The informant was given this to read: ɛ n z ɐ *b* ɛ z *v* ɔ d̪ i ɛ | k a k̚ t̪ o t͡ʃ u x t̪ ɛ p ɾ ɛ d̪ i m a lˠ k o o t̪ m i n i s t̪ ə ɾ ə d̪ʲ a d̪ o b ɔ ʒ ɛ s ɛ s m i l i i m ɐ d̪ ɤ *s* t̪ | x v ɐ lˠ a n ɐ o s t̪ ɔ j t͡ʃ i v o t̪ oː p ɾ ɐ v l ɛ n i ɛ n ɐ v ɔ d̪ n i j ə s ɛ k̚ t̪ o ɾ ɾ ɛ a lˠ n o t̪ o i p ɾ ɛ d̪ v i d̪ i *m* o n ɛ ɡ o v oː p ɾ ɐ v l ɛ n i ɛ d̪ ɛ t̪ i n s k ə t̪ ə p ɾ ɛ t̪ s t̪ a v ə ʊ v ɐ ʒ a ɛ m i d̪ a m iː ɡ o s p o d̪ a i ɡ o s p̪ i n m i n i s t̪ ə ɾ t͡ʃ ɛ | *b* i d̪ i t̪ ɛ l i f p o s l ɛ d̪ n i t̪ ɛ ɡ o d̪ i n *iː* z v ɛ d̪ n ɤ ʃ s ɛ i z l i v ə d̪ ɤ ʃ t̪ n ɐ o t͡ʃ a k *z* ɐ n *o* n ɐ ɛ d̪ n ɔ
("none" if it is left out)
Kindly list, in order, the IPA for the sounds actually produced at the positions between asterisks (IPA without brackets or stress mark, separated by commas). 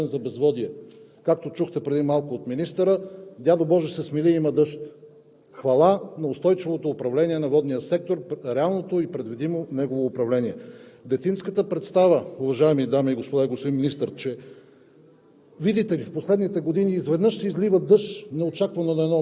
b, v, ʃ, m, v, iː, v, o